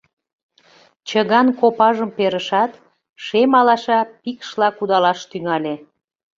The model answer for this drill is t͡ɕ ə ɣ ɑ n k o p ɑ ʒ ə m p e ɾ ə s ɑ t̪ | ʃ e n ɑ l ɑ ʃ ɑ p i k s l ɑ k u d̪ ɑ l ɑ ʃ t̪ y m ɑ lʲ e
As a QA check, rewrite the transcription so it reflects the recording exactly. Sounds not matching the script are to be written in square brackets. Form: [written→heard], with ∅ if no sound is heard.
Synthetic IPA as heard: t͡ɕ ə ɣ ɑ n k o p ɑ ʒ ə m p e ɾ ə [s→ʃ] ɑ t̪ | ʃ e [n→m] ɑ l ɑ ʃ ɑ p i k [s→ʃ] l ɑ k u d̪ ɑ l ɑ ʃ t̪ y [m→ŋ] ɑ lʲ e